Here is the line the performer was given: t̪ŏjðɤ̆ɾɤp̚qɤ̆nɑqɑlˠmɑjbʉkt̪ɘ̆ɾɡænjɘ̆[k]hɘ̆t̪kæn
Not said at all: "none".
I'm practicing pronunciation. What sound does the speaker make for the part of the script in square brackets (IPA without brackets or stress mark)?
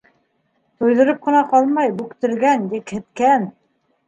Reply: k